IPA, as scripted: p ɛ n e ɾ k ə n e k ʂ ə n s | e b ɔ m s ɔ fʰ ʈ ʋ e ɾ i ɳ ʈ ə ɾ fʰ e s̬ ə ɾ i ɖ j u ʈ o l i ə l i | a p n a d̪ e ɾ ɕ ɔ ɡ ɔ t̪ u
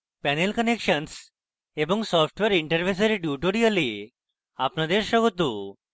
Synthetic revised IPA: p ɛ n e l k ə n e k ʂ ə n s | e b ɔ ŋ s ɔ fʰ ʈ ʋ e ɾ i ɳ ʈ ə ɾ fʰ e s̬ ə ɾ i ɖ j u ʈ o ɾ i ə l i | a p n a d̪ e ɾ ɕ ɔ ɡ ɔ t̪ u